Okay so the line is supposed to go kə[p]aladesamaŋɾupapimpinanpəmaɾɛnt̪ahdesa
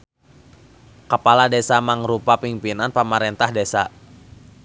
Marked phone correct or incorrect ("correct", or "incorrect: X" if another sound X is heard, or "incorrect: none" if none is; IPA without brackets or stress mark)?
correct